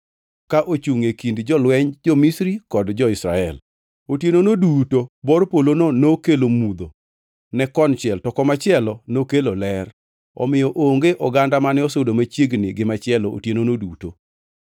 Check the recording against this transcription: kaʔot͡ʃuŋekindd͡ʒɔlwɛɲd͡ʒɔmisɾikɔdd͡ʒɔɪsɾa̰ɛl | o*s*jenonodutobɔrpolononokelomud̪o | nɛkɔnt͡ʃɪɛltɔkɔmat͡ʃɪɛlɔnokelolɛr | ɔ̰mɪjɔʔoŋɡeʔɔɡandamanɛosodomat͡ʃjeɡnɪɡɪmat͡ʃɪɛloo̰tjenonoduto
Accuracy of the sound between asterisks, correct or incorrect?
incorrect